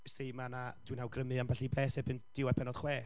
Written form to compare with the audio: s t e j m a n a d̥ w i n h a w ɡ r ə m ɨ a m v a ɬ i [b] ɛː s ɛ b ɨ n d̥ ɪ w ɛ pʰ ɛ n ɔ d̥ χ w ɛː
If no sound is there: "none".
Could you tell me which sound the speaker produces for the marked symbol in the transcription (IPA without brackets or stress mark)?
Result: b